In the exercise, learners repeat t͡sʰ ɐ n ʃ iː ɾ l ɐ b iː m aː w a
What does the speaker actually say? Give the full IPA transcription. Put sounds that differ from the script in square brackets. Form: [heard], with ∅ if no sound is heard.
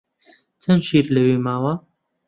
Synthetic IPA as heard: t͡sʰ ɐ n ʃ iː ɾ l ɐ [w] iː m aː w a